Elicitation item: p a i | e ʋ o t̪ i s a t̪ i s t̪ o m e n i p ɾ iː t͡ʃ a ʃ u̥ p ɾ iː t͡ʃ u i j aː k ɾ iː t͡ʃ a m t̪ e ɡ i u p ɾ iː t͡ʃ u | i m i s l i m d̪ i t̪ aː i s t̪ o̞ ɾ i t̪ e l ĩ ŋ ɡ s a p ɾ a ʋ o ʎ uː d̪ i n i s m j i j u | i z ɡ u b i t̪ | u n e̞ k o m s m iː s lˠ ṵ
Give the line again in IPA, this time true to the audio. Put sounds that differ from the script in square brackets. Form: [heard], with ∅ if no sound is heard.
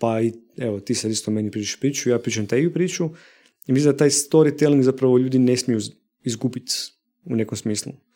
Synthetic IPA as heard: p a i | e ʋ o t̪ i s a [d̪] i s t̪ o m e n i p ɾ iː t͡ʃ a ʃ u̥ p ɾ iː t͡ʃ u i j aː [p] ɾ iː t͡ʃ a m t̪ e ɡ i u p ɾ iː t͡ʃ u | i m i s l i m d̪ [a] t̪ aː [j] s t̪ o̞ ɾ i t̪ e l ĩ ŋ ɡ [z] a p ɾ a ʋ o ʎ uː d̪ i n [e] s m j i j u | i z ɡ u b i t̪ | u n e̞ k o m s m iː s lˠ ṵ